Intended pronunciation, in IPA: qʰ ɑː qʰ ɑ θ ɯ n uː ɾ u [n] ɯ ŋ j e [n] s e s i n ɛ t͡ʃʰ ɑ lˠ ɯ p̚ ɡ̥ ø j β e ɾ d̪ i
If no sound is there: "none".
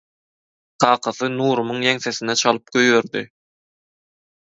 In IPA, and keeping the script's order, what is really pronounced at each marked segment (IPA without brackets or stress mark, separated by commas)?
m, ŋ